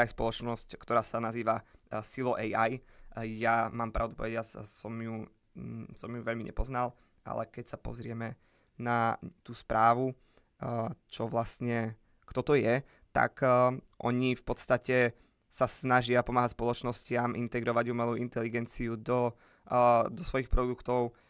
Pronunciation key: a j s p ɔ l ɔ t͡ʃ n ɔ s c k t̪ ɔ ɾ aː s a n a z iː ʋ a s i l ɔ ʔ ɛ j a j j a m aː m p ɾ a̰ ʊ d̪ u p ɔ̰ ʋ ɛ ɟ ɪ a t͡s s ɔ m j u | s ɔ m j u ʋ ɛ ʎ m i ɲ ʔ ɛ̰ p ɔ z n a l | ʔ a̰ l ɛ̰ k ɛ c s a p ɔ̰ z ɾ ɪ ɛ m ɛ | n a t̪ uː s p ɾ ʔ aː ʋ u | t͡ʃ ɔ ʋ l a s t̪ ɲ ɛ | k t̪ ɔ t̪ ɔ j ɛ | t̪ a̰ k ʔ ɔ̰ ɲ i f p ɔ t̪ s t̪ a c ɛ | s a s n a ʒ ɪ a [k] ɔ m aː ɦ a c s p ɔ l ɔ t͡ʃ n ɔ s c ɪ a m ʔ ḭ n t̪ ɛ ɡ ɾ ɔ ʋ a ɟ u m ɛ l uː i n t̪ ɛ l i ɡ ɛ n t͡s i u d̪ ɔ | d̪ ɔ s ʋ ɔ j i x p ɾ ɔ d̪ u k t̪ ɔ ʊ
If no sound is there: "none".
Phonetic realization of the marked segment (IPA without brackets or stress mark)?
p